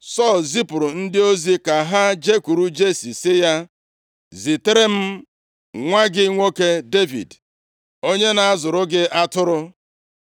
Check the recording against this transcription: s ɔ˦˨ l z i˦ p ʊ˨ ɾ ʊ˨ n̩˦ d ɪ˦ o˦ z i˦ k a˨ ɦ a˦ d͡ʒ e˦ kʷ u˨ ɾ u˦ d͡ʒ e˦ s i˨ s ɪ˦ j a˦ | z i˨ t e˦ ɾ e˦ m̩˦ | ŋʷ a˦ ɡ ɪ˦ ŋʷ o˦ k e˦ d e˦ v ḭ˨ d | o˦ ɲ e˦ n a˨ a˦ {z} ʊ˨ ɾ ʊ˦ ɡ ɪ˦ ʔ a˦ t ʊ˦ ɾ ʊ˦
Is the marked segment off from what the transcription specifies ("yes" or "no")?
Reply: no